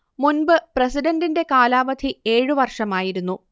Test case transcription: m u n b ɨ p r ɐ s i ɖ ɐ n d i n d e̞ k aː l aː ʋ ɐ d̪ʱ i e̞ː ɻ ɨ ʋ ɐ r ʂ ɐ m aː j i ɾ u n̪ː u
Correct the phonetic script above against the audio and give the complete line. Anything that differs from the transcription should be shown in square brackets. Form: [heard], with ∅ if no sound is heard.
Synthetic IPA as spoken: m u n b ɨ p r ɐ s i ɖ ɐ n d i n d e̞ k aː l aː ʋ ɐ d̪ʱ i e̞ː ɻ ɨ ʋ ɐ r ʂ ɐ m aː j i ɾ u n̪ː u